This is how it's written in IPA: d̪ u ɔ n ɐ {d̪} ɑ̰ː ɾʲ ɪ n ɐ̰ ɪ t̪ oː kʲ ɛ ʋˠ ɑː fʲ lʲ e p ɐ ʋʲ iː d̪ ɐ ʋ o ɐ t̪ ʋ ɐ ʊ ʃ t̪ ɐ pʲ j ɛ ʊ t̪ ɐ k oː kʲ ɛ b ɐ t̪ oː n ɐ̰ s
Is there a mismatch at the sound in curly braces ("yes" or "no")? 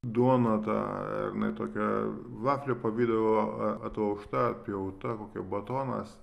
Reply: yes